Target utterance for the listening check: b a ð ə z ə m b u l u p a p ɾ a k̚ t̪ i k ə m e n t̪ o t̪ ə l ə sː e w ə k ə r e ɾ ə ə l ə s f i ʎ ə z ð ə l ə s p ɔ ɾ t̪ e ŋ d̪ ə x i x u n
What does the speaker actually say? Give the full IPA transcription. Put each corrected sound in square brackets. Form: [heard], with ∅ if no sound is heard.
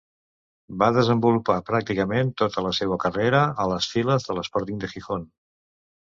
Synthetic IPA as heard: b a ð ə z ə m b u l u p a p ɾ a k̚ t̪ i k ə m e n t̪ o t̪ ə l ə [s] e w ə k ə r e ɾ ə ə l ə s f i [l] ə z ð ə l ə s p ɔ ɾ t̪ [i] ŋ d̪ ə x i x [o] n